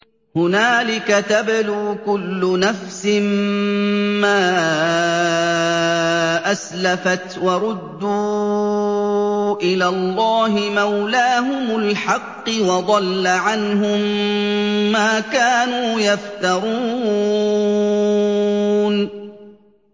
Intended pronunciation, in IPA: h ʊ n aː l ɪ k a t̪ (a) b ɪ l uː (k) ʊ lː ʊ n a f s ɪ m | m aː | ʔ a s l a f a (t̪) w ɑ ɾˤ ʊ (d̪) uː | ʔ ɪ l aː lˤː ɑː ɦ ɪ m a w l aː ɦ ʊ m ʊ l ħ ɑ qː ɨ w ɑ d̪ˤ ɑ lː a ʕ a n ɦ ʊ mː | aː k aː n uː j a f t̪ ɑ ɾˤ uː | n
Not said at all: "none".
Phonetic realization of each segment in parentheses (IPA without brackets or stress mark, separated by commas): a, k, t̪, d̪ː